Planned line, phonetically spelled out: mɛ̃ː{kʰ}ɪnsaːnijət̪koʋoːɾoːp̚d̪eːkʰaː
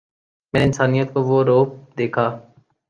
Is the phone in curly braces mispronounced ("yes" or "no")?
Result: yes